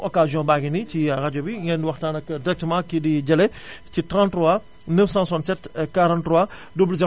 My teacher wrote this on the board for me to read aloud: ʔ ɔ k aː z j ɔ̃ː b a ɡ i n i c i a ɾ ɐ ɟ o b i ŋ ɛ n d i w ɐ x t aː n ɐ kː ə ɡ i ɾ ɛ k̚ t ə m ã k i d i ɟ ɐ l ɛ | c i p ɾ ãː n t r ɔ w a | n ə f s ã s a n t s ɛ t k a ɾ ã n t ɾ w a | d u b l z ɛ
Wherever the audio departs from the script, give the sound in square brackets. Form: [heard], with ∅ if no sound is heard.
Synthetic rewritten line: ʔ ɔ k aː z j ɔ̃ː b a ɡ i n i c i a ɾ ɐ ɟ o b i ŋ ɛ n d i w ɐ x t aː n ɐ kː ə [d] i ɾ ɛ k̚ t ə m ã k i d i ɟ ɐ l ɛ | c i [t] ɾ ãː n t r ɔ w a | n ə f s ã s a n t s ɛ t k a ɾ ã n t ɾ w a | d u b l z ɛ